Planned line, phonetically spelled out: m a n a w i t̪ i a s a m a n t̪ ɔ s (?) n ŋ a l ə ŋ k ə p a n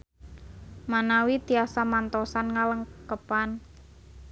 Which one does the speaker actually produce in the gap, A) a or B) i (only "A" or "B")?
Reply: A